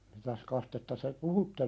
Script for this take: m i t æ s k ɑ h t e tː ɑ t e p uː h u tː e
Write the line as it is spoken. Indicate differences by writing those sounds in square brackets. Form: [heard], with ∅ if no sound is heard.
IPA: m i t æ s k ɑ [s] t e tː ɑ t e p [u] h u tː e